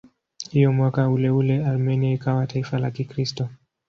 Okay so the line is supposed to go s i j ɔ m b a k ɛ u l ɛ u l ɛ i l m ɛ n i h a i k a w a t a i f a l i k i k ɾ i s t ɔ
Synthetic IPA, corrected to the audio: h i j ɔ m w a k a u l ɛ u l ɛ a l m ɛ n i a i k a w a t a i f a l a k i k ɾ i s t ɔ